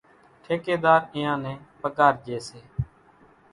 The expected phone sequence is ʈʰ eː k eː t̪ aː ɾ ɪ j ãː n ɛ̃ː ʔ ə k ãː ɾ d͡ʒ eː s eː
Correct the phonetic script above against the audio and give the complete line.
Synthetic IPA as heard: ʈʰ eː k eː d̪ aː ɾ ɪ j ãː n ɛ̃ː p ə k aː ɾ d͡ʒ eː s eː